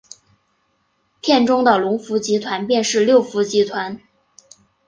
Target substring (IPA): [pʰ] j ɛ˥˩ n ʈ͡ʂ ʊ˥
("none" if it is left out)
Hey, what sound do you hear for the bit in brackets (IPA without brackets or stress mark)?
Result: pʰ